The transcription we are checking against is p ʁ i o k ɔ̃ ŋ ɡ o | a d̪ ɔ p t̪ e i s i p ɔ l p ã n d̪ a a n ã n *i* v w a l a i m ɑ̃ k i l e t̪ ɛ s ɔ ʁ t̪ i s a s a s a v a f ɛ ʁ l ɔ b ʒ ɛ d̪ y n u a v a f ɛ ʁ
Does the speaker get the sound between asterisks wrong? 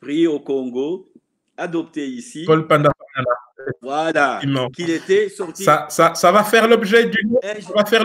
yes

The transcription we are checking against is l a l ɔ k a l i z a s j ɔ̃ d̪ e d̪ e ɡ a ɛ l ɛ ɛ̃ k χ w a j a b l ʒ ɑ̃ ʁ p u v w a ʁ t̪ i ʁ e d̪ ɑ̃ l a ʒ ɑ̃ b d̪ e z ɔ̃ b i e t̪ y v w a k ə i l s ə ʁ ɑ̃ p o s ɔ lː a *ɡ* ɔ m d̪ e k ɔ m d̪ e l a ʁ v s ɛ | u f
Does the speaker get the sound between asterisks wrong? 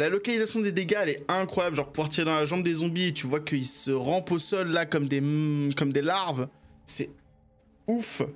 yes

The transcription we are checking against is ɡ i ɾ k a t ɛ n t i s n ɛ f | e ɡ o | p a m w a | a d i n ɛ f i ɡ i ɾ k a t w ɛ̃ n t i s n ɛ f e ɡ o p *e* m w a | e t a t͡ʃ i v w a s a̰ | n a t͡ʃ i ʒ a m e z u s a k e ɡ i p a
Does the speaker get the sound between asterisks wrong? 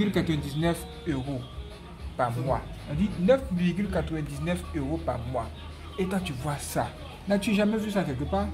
yes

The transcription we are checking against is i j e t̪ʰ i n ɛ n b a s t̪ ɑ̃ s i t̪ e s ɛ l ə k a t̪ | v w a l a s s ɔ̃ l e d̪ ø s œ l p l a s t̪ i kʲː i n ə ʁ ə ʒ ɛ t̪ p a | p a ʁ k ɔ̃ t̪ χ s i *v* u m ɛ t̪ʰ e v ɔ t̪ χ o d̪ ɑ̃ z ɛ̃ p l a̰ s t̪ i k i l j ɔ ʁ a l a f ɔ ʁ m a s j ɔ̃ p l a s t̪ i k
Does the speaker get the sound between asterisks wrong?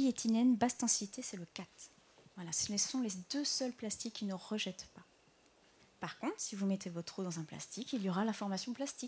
no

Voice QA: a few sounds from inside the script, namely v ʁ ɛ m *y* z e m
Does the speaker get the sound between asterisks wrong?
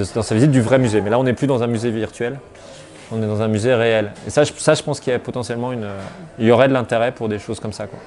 no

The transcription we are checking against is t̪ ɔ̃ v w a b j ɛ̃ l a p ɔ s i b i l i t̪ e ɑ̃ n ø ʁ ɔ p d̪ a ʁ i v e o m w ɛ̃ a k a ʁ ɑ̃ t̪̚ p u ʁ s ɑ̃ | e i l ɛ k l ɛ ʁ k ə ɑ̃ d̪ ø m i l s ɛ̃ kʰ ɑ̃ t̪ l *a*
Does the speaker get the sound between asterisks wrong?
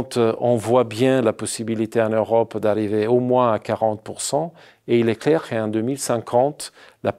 no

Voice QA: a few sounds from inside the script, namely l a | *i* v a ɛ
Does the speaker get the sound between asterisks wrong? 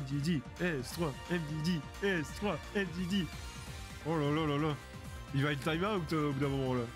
no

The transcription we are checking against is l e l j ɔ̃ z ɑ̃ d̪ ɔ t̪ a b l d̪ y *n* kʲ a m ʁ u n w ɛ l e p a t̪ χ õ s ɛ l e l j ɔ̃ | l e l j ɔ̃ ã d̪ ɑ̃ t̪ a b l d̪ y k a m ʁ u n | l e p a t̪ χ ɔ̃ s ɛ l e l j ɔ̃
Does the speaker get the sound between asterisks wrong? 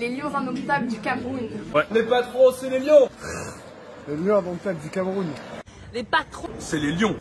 yes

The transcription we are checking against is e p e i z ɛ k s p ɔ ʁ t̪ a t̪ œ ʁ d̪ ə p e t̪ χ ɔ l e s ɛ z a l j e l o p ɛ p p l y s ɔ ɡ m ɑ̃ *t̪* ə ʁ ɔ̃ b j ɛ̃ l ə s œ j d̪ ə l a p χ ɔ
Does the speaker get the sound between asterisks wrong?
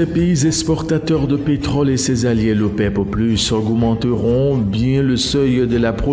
no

